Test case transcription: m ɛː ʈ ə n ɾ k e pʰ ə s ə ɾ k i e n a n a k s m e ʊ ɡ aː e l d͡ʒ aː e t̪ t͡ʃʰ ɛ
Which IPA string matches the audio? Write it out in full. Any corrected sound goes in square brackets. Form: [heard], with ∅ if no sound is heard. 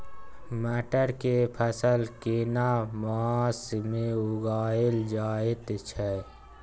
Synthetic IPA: m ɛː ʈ ə [∅] ɾ k e pʰ ə s ə [l] k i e n a [m] a [∅] s m e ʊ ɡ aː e l d͡ʒ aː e t̪ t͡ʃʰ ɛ